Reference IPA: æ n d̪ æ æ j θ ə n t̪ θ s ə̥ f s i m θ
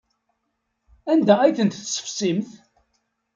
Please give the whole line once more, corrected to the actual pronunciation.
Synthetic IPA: æ n d̪ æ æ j θ ə n t̪ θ s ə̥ f s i m θ